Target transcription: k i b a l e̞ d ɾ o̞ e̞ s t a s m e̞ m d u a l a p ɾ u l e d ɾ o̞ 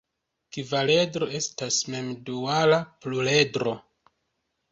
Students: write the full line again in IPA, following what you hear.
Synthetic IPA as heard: k i v a l e̞ d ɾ o̞ e̞ s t a s m e̞ m d u a l a p l u l e d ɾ o̞